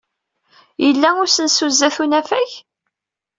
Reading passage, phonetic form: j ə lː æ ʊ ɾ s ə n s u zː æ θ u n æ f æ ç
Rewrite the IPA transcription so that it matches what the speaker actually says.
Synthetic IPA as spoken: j ə lː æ ʊ ɾ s ə n s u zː æ θ u n æ f æ ç